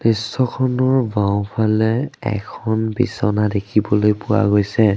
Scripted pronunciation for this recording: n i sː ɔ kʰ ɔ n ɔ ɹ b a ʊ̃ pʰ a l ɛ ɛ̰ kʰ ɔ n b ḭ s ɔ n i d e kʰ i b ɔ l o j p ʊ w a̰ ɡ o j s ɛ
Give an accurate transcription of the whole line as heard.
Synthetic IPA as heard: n i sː ɔ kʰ ɔ n ɔ ɹ b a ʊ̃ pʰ a l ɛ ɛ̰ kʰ ɔ n b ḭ s ɔ n a d e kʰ i b ɔ l o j p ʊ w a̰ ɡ o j s ɛ